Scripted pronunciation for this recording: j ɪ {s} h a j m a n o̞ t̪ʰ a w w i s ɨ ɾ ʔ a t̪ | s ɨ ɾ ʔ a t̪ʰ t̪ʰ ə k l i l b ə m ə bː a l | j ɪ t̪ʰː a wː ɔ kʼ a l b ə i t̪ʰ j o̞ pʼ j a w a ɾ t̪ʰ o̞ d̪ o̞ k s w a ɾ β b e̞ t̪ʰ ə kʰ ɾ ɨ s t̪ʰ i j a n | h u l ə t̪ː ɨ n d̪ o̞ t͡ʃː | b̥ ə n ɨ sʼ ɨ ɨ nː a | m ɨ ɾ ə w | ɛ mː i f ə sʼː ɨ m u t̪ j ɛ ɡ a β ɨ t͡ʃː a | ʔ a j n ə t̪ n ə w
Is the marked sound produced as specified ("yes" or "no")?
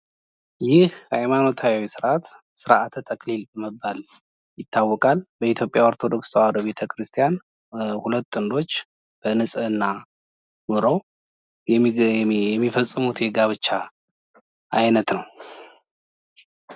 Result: no